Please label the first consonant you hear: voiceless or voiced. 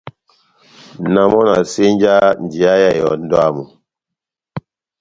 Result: voiced